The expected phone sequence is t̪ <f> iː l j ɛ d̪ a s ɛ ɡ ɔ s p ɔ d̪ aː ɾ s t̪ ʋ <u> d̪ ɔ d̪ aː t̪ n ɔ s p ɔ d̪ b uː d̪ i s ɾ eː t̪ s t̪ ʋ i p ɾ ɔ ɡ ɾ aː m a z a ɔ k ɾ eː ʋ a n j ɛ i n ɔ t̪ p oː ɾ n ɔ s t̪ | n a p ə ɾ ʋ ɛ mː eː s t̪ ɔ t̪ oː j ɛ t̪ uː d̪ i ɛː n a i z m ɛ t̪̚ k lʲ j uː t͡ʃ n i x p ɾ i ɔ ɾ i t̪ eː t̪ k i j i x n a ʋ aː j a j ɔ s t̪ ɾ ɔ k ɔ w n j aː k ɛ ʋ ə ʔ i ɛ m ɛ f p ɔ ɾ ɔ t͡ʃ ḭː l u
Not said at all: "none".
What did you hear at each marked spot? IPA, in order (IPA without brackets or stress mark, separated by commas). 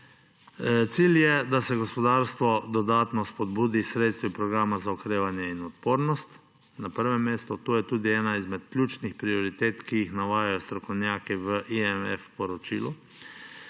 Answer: s, ɔ